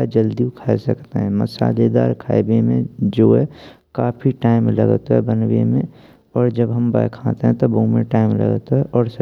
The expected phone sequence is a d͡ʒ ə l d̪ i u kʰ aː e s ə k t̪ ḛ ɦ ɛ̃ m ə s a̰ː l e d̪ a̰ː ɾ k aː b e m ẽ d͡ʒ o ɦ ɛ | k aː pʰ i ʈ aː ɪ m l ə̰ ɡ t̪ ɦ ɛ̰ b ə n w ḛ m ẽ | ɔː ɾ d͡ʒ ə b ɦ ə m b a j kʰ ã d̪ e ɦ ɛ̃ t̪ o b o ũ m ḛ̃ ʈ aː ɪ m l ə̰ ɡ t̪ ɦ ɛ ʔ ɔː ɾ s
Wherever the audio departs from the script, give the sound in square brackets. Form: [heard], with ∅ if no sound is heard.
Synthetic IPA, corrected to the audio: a d͡ʒ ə l d̪ i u kʰ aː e s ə k t̪ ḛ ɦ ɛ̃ m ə s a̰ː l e d̪ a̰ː ɾ [kʰ] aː b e m ẽ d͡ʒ o ɦ ɛ | k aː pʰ i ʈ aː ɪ m l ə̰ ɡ t̪ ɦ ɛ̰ b ə n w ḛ m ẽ | ɔː ɾ d͡ʒ ə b ɦ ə m b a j kʰ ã [t̪] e ɦ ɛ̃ t̪ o b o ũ m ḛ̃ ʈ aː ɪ m l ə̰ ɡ t̪ ɦ ɛ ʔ ɔː ɾ s